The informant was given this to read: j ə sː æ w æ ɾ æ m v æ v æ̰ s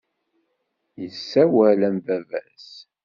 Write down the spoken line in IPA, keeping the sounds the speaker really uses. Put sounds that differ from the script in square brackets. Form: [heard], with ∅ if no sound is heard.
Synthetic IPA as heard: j ə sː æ w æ [l] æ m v æ v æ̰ s